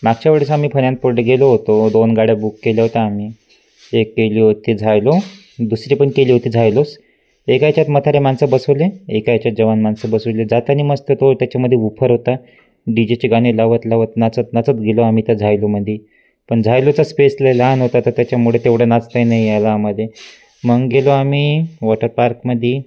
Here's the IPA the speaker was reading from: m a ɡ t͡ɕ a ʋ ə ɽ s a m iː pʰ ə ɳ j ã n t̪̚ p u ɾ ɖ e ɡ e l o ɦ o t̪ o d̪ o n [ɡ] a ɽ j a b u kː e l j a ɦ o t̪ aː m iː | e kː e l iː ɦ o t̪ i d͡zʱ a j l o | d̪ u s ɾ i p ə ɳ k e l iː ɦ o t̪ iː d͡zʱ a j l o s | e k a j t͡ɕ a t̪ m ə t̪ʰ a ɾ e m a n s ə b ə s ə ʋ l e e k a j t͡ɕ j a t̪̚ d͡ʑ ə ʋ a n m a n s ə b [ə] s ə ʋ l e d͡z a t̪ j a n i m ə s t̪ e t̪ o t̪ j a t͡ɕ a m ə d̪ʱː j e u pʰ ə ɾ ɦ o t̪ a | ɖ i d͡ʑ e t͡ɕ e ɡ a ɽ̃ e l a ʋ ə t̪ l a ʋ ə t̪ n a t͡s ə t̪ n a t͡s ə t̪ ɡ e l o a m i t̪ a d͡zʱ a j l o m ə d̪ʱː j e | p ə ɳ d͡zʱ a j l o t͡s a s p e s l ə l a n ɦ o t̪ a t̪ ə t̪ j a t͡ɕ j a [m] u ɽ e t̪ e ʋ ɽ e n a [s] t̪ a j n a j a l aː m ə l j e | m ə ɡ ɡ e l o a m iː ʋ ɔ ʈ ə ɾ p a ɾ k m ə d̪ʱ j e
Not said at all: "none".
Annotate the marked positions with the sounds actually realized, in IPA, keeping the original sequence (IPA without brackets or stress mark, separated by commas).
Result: ɡ, ə, m, t͡s